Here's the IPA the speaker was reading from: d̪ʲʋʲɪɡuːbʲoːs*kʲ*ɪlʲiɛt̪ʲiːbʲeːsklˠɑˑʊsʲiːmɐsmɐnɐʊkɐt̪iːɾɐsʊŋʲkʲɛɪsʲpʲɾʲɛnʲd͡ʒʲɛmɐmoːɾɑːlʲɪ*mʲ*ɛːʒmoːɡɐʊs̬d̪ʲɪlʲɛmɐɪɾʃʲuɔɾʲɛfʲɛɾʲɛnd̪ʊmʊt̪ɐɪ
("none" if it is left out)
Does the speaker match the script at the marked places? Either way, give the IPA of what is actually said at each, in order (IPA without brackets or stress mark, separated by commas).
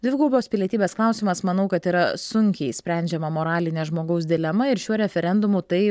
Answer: pʲ, nʲ